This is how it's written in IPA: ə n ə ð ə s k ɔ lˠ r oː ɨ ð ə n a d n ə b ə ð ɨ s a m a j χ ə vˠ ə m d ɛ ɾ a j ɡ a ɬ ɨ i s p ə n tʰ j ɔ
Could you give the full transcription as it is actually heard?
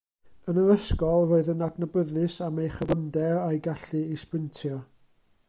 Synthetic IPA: ə n ə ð ə s k ɔ lˠ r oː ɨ ð ə n a d n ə b ə ð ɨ s a m e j χ ə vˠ ə m d ɛ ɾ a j ɡ a ɬ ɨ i s p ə n tʰ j ɔ

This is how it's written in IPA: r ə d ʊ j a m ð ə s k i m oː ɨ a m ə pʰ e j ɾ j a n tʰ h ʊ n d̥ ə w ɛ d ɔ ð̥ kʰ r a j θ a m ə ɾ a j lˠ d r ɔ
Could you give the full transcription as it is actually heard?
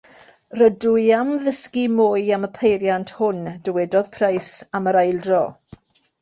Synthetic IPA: r ə d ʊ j a m ð ə s k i m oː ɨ a m ə pʰ e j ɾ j a n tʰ h ʊ n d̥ ə w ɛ d ɔ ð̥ pʰ r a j s a m ə ɾ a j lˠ d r ɔ

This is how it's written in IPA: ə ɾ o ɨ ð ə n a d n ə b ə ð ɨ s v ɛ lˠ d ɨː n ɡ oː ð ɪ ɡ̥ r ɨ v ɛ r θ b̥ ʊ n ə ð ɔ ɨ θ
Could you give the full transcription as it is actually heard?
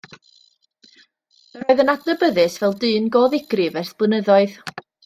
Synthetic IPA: ə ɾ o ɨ ð ə n a d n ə b ə ð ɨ s v ɛ lˠ d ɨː n ɡ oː ð ɪ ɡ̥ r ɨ v ɛ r θ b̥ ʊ n ə ð ɔ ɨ ð

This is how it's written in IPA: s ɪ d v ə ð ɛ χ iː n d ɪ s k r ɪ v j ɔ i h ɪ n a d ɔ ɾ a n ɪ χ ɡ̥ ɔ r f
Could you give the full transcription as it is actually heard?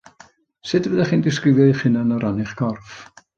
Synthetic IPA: s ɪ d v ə ð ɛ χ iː n d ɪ s k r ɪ v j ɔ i χ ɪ n a n ɔ ɾ a n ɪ χ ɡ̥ ɔ r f

